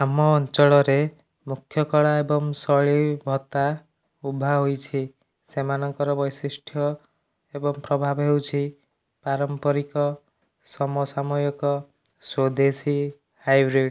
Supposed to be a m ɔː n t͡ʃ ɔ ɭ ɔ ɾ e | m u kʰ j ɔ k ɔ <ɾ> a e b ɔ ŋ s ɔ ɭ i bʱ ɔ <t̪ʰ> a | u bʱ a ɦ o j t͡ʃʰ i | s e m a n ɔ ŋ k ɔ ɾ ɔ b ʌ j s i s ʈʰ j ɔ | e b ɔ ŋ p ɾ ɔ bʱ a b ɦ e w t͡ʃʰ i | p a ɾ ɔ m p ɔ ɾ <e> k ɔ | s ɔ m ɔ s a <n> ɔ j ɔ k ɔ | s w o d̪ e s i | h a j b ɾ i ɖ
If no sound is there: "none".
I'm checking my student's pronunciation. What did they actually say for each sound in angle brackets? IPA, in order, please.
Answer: ɭ, t̪, i, m

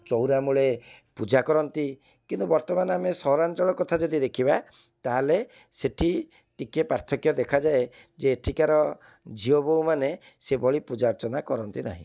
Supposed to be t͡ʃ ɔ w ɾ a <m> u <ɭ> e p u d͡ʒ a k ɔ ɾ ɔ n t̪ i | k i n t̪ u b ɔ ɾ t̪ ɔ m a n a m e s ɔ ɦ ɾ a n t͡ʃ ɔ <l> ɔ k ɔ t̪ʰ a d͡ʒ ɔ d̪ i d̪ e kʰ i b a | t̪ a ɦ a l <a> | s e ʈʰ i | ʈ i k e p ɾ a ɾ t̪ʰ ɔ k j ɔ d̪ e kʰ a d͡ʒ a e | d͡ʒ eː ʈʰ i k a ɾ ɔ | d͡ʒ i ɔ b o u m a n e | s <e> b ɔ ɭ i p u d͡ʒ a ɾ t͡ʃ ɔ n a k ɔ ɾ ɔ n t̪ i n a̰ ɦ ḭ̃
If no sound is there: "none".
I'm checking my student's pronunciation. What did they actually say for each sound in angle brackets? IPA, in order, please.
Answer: m, ɭ, ɭ, e, e

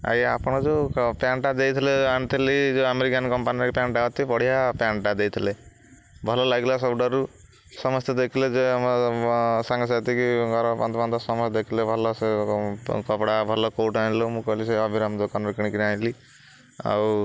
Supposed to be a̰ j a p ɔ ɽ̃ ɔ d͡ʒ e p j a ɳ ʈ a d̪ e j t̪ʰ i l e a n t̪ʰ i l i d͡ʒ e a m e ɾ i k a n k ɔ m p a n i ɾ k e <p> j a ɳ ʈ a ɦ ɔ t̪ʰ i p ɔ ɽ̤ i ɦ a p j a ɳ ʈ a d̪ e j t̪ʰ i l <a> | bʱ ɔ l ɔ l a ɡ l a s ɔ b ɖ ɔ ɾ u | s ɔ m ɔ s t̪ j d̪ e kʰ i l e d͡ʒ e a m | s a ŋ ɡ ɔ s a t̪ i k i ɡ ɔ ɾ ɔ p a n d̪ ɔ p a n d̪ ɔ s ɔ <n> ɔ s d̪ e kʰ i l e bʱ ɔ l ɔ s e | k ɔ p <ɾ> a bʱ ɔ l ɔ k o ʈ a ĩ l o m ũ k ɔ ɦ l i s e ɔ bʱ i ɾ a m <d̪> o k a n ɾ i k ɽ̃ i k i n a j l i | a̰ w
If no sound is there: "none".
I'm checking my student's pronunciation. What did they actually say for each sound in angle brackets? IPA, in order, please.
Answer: p, e, m, ɽ, d̪

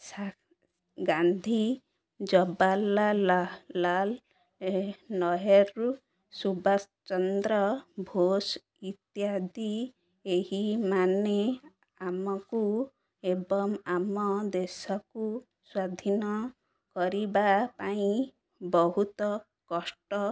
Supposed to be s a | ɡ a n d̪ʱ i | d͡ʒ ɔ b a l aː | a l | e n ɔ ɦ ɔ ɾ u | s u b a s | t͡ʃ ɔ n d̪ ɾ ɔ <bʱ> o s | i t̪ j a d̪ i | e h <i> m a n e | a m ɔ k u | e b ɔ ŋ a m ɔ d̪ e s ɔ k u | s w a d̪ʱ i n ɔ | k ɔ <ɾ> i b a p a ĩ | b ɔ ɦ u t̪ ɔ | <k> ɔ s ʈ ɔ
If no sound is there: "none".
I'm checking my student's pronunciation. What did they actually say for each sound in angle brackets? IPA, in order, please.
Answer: bʱ, i, ɾ, k

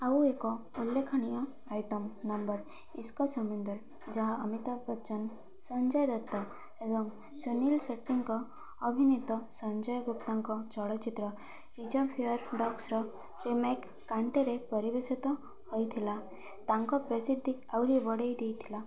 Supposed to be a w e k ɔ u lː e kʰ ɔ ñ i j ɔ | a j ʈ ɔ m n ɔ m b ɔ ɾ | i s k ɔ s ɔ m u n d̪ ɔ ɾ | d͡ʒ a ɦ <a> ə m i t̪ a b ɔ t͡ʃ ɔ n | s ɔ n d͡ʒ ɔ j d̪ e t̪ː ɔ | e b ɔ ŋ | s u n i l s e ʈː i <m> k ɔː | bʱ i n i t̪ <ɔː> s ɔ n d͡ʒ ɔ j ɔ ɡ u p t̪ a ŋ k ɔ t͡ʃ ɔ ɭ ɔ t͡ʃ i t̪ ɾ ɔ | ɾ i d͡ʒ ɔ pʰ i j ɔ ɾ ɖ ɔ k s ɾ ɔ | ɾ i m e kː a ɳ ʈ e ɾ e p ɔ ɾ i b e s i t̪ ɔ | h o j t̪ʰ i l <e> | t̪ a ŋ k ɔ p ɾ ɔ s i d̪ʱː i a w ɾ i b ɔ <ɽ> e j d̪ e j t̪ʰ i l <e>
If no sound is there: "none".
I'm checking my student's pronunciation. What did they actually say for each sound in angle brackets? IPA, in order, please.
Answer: a, ŋ, ɔ, a, ɽ, a

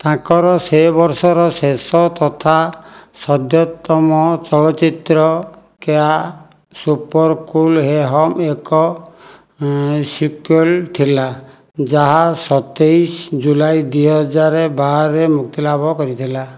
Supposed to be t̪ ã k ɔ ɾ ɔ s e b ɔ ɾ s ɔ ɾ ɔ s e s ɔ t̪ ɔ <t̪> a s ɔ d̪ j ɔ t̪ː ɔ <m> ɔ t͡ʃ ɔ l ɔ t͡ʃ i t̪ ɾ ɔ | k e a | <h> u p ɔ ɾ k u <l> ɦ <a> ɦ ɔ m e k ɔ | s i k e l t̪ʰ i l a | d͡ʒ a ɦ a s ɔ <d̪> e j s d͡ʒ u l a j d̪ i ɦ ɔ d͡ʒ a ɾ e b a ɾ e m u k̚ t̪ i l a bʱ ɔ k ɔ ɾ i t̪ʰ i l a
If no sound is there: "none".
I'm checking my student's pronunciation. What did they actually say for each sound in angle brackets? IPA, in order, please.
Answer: t̪ʰ, m, s, l, e, t̪

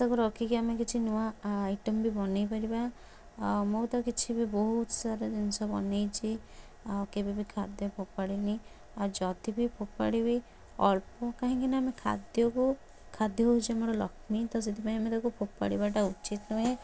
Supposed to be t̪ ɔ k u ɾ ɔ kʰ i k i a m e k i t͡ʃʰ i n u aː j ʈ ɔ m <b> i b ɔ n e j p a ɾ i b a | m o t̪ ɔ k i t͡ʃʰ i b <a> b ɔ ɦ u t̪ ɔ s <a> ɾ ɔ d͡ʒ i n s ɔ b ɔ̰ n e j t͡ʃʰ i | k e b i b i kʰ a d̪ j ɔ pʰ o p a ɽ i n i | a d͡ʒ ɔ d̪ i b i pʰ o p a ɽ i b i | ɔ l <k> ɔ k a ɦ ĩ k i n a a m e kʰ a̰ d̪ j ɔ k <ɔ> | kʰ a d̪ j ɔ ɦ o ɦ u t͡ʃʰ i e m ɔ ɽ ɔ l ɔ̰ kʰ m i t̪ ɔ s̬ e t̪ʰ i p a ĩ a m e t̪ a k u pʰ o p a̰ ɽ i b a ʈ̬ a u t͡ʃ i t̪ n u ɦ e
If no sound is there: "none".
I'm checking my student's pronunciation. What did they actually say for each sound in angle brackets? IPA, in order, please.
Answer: b, i, a, p, u

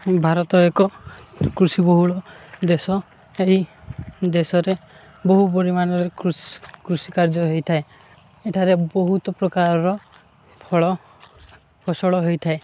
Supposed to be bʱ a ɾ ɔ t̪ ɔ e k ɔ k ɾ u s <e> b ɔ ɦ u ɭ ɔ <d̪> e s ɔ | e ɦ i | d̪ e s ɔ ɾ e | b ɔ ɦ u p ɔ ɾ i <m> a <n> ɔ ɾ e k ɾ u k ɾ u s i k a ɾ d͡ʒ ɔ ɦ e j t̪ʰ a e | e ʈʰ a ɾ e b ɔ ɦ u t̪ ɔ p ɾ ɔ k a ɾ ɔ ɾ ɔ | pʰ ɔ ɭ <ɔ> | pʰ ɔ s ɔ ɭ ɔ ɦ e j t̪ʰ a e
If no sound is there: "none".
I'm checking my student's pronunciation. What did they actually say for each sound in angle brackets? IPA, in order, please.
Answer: i, d̪, m, n, ɔ

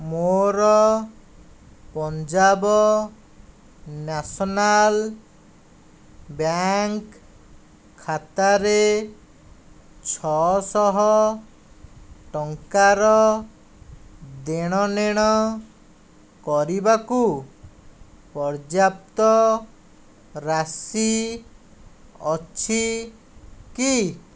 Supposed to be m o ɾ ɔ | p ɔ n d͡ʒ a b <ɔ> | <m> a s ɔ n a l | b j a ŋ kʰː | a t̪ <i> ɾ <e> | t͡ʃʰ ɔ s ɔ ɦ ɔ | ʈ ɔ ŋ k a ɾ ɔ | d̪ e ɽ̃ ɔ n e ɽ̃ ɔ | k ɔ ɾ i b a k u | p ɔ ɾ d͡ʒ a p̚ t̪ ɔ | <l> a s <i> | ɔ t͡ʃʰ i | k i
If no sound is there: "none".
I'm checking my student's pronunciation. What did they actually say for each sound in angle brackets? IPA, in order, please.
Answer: ɔ, n, a, e, ɾ, i

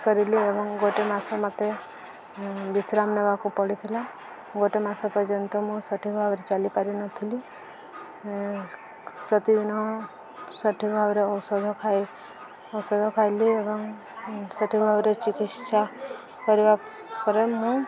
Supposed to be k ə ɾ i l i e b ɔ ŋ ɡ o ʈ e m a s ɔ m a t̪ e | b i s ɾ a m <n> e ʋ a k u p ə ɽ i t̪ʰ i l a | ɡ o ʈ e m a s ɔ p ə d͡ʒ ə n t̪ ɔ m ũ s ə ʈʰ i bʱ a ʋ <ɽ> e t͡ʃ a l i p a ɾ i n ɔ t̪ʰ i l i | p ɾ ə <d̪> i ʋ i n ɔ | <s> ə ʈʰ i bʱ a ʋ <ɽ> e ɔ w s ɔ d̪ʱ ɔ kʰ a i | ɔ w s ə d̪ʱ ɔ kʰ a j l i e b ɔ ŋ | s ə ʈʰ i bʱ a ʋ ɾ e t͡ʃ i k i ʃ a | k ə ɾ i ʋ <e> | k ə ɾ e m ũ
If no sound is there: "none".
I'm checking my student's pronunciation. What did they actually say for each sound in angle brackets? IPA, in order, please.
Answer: n, ɾ, t̪, s, ɾ, a

